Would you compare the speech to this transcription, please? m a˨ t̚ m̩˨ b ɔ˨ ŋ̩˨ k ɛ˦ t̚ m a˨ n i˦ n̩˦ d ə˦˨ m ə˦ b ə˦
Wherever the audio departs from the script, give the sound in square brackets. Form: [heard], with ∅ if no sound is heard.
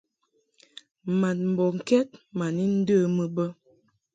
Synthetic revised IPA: m a˨ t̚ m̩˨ b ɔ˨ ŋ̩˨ k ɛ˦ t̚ m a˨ n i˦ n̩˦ d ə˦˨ m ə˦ b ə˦